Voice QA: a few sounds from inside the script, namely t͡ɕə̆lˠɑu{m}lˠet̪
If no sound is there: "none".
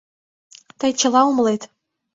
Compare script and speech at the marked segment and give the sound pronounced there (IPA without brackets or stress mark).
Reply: m